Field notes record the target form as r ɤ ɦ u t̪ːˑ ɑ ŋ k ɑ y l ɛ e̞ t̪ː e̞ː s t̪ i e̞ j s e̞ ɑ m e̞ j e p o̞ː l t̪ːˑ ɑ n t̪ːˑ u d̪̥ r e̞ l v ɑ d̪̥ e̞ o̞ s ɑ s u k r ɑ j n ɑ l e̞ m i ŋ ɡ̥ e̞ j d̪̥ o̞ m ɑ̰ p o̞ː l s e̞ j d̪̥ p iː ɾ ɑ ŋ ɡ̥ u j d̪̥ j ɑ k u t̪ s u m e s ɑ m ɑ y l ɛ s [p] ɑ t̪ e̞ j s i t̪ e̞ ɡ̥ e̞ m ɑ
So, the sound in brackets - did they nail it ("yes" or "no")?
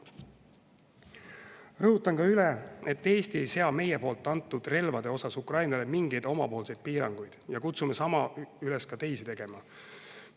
no